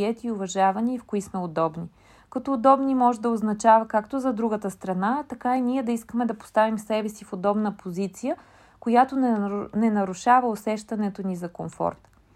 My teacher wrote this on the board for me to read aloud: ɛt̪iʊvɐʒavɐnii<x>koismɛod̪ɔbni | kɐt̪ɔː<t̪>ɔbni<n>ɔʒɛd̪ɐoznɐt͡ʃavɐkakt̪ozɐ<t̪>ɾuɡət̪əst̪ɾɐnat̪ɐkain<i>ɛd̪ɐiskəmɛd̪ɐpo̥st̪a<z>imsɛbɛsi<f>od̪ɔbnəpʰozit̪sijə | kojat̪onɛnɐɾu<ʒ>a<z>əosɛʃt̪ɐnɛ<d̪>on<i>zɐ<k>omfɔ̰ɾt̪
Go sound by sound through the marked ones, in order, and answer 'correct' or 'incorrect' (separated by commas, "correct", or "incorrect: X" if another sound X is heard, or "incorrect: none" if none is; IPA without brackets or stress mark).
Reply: incorrect: f, incorrect: d̪, incorrect: m, incorrect: d̪, correct, incorrect: v, correct, incorrect: ʃ, incorrect: v, incorrect: t̪, correct, correct